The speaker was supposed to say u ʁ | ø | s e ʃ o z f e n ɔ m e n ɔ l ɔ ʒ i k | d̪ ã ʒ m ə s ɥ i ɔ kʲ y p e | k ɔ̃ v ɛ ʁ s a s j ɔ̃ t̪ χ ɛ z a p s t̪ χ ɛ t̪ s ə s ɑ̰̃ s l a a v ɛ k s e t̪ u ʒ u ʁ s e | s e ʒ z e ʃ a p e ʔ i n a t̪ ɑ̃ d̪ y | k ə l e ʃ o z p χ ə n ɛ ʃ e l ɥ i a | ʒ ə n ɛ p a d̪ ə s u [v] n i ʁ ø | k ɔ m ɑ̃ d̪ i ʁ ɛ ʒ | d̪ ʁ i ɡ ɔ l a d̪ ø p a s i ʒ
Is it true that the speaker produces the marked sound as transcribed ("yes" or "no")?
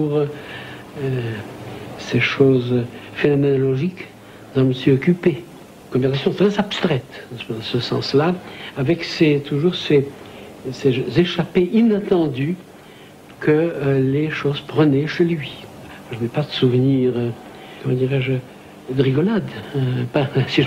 yes